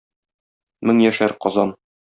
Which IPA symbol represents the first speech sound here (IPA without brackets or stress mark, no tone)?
m